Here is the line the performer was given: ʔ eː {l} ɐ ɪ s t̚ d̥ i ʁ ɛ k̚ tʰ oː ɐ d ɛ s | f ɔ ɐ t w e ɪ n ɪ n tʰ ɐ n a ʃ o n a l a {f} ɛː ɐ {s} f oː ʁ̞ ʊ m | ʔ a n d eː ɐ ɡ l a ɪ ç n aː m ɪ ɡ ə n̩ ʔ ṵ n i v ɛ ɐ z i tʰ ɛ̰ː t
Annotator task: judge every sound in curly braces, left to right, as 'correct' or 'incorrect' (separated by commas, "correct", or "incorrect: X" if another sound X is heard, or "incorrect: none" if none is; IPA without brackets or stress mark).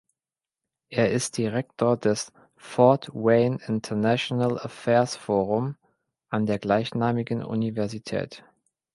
incorrect: none, correct, correct